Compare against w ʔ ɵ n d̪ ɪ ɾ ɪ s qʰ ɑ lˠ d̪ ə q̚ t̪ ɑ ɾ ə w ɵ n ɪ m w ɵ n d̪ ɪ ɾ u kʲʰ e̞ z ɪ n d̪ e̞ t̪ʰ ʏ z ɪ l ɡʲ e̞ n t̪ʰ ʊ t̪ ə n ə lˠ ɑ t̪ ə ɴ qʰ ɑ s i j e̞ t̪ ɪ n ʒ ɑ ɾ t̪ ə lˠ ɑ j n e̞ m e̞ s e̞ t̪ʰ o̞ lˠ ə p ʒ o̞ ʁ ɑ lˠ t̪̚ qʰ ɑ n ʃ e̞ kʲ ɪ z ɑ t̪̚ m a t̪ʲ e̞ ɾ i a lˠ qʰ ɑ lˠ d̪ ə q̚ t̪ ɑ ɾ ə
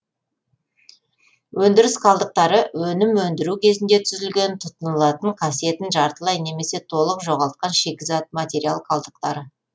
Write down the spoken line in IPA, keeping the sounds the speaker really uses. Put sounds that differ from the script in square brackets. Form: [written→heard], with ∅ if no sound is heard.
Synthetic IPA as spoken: w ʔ ɵ n d̪ ɪ ɾ ɪ s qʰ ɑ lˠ d̪ ə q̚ t̪ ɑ ɾ ə w ɵ n ɪ m w ɵ n d̪ ɪ ɾ u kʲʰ e̞ z ɪ n d̪ e̞ t̪ʰ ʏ z ɪ l ɡʲ e̞ n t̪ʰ ʊ t̪ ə n ə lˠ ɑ t̪ ə ɴ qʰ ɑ s i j e̞ t̪ ɪ n ʒ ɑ ɾ t̪ ə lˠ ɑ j n e̞ m e̞ s e̞ t̪ʰ o̞ lˠ ə [p→q] ʒ o̞ ʁ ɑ lˠ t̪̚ [qʰ→q] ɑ n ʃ e̞ kʲ ɪ z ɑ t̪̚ m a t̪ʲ e̞ ɾ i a lˠ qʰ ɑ lˠ d̪ ə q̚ t̪ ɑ ɾ ə

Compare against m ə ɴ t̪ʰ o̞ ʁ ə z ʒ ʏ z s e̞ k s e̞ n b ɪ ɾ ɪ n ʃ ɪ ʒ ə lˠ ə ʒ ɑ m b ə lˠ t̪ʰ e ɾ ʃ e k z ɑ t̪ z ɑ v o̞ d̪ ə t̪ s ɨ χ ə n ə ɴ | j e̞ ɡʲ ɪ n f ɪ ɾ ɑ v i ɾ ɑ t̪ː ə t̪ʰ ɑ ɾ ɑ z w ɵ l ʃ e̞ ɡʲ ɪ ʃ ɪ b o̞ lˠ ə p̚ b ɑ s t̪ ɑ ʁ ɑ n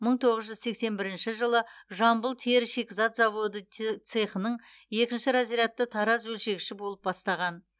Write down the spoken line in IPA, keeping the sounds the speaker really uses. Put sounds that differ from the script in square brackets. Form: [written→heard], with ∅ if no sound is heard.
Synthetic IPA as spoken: m ə ɴ t̪ʰ o̞ ʁ ə z ʒ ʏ z s e̞ k s e̞ n b ɪ ɾ ɪ n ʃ ɪ ʒ ə lˠ ə ʒ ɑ m b ə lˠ t̪ʰ e ɾ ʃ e k z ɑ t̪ z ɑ v o̞ d̪ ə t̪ s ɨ χ ə n ə ɴ | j e̞ [ɡʲ→kʲ] ɪ n [f→ʃ] ɪ ɾ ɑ [v→z] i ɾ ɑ t̪ː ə t̪ʰ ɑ ɾ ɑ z w ɵ l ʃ e̞ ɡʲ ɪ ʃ ɪ b o̞ lˠ ə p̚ b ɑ s t̪ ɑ ʁ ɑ n

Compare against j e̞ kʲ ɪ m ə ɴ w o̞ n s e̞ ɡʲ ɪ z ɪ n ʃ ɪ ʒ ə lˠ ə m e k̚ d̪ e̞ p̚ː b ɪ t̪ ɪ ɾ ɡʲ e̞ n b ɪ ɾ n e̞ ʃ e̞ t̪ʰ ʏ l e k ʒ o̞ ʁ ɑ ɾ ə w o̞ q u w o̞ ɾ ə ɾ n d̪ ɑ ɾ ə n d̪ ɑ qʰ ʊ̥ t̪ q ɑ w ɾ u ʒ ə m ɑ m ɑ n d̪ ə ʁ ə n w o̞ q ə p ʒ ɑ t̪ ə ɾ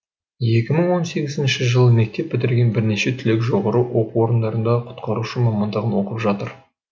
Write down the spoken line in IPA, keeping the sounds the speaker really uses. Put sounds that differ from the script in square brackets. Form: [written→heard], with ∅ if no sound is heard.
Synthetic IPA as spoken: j e̞ kʲ ɪ m ə ɴ w o̞ n s e̞ ɡʲ ɪ z ɪ n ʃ ɪ ʒ ə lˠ ə m e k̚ [d̪→t̪] e̞ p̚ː b ɪ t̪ ɪ ɾ ɡʲ e̞ n b ɪ ɾ n e̞ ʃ e̞ t̪ʰ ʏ l e k ʒ o̞ ʁ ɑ ɾ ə w o̞ q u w o̞ ɾ ə [ɾ→∅] n d̪ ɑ ɾ ə n d̪ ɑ qʰ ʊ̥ t̪ q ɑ [w→∅] ɾ u [ʒ→ʃ] ə m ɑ m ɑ n d̪ ə ʁ ə n w o̞ q ə p ʒ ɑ t̪ ə ɾ

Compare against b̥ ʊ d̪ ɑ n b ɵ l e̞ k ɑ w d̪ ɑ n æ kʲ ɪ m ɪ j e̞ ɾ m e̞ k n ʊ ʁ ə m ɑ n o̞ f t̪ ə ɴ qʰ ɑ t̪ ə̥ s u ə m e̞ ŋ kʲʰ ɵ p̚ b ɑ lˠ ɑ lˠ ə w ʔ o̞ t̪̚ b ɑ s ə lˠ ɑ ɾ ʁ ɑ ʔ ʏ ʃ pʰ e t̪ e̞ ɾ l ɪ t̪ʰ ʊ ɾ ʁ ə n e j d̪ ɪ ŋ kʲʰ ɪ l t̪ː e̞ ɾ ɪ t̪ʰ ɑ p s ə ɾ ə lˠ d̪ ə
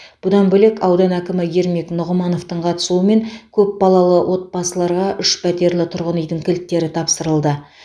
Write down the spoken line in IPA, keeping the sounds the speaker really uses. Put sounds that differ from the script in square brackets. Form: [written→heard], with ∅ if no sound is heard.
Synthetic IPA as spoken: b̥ ʊ d̪ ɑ n b ɵ l e̞ k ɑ w d̪ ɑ n æ kʲ ɪ m ɪ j e̞ ɾ m e̞ k n ʊ ʁ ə m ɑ n o̞ f t̪ ə ɴ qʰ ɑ t̪ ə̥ s u ə m e̞ ŋ kʲʰ ɵ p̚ b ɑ lˠ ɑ lˠ ə w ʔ o̞ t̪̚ b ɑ s ə lˠ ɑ ɾ ʁ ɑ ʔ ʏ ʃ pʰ [e→æ] t̪ e̞ ɾ l ɪ t̪ʰ ʊ ɾ ʁ ə n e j d̪ ɪ ŋ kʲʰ ɪ l t̪ː e̞ ɾ ɪ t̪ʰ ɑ p s ə ɾ ə lˠ d̪ ə

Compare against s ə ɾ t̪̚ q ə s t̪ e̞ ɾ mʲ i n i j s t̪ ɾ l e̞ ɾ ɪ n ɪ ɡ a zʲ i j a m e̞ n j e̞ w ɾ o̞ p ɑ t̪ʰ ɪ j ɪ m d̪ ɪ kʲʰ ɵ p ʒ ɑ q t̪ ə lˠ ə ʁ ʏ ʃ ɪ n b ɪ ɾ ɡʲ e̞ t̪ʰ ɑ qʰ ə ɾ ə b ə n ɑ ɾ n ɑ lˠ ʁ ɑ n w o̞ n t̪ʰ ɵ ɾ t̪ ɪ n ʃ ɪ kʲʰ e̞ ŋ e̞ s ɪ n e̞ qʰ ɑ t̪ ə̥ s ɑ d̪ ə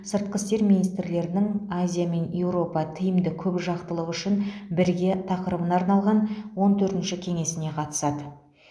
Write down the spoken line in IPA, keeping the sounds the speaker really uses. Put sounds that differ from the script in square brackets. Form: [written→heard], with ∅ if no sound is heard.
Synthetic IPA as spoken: s ə ɾ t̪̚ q ə s t̪ e̞ ɾ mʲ i n i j s t̪ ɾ l e̞ ɾ ɪ n ɪ [ɡ→ŋ] a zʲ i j a m e̞ n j e̞ w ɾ o̞ p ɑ t̪ʰ ɪ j ɪ m d̪ ɪ kʲʰ ɵ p ʒ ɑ q t̪ ə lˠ ə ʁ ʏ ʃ ɪ n b ɪ ɾ ɡʲ e̞ t̪ʰ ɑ [qʰ→q] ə ɾ ə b ə n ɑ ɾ n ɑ lˠ ʁ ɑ n w o̞ n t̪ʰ ɵ ɾ t̪ ɪ n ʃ ɪ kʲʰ e̞ ŋ e̞ s ɪ n e̞ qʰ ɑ t̪ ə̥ s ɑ d̪ ə

